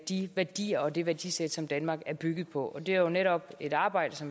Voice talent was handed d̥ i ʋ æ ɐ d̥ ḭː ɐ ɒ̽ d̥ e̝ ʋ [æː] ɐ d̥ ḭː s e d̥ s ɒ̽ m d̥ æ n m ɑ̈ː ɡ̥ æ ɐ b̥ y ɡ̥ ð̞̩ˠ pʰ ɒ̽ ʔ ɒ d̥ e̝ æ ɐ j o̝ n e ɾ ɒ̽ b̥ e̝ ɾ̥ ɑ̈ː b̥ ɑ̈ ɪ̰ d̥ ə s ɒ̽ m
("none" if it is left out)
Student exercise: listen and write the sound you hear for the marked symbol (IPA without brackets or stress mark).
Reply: æ